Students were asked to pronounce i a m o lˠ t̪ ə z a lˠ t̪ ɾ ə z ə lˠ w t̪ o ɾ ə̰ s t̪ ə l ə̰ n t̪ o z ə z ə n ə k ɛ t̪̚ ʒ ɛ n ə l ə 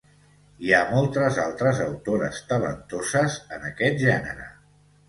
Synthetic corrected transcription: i a m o lˠ t̪ ə z a lˠ t̪ ɾ ə z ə w t̪ o ɾ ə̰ s t̪ ə l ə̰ n t̪ o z ə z ə n ə k ɛ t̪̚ ʒ ɛ n ə ɾ ə